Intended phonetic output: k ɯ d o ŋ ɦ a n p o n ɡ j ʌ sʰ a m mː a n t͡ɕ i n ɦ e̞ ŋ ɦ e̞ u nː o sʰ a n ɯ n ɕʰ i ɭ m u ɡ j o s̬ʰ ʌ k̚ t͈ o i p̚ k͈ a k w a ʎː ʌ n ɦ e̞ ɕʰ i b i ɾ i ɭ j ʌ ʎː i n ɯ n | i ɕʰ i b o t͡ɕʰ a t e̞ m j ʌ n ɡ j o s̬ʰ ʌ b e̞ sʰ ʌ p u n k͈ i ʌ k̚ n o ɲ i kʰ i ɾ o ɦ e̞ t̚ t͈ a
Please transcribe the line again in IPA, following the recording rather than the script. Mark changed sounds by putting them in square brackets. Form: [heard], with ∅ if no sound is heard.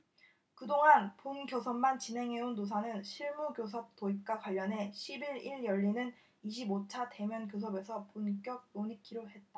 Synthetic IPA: k ɯ d o ŋ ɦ a n p o n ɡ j ʌ sʰ [ʌ] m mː a n t͡ɕ i n ɦ e̞ ŋ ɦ e̞ u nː o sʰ a n ɯ n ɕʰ i ɭ m u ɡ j o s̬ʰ ʌ [p̚] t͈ o i p̚ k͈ a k w a ʎː ʌ n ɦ e̞ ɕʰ i b i ɾ i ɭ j ʌ ʎː i n ɯ n | i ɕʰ i b o t͡ɕʰ a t e̞ m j ʌ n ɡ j o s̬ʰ ʌ b e̞ sʰ ʌ p u n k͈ [j] ʌ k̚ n o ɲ i kʰ i ɾ o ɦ e̞ t̚ t͈ a